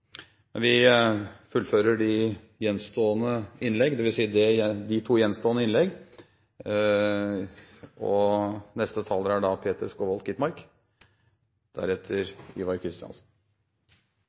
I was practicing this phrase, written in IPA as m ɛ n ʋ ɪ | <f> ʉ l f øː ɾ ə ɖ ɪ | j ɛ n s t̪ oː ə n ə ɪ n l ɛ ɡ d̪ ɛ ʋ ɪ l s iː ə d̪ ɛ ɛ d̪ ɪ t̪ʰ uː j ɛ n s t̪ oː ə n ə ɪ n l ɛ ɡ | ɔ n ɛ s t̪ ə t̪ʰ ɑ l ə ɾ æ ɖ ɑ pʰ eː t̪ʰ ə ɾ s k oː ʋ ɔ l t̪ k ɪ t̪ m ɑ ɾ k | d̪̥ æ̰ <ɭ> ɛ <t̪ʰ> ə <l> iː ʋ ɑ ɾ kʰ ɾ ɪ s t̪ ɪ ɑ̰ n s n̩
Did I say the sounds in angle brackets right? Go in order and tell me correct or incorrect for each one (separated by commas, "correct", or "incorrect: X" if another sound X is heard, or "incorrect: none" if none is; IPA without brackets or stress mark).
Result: correct, incorrect: ɾ, correct, incorrect: ɾ